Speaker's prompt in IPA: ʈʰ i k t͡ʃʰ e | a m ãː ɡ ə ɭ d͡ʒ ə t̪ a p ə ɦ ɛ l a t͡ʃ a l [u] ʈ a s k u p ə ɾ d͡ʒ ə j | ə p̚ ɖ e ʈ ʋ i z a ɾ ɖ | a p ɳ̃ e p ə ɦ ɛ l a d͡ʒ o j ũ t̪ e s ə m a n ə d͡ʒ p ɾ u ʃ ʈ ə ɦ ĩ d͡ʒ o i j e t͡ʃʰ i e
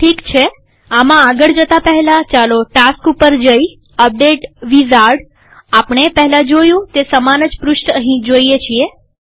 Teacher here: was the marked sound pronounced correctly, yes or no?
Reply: no